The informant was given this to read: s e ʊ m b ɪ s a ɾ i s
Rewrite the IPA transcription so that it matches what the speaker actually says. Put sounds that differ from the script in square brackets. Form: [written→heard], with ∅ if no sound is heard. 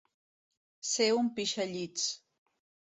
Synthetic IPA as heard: s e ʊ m [b→p] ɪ [s→ʃ] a [ɾ→ʎ] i [s→t͡s]